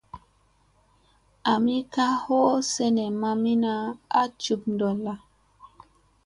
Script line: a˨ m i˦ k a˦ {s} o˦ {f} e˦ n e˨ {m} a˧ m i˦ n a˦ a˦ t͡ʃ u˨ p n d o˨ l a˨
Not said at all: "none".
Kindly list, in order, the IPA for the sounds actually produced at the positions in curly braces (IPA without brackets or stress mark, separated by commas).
h, s, m